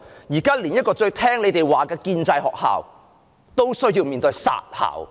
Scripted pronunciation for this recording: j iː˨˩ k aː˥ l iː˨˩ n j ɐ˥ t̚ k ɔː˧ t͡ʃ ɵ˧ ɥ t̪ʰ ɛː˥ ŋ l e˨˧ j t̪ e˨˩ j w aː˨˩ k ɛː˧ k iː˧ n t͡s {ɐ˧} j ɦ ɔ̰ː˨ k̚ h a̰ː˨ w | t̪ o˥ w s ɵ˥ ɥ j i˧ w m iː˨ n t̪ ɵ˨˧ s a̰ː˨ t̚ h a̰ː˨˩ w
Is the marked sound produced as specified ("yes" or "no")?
yes